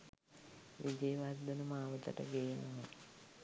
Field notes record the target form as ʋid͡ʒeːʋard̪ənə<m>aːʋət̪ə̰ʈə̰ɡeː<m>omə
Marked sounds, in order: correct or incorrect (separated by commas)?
correct, incorrect